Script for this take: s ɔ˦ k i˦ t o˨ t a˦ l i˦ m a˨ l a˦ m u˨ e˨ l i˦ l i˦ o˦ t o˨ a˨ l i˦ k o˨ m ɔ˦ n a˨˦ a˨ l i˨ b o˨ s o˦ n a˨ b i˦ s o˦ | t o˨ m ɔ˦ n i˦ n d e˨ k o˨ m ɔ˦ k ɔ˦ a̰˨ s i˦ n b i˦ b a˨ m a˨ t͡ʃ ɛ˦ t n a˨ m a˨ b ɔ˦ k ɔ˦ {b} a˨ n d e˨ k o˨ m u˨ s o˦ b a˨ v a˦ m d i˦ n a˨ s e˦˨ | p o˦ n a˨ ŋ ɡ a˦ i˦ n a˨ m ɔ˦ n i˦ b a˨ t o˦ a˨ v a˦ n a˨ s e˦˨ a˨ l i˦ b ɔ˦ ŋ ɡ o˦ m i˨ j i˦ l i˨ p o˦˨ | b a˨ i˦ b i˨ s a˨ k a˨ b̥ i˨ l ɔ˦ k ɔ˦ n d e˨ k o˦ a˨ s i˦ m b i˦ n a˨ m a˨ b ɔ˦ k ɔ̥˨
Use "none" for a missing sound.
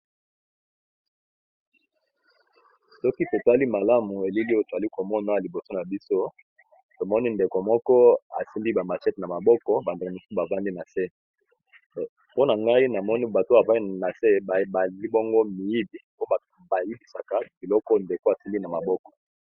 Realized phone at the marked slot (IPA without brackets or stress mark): b